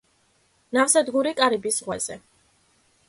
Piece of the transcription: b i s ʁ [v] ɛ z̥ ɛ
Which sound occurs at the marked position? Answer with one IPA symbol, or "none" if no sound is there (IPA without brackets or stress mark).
w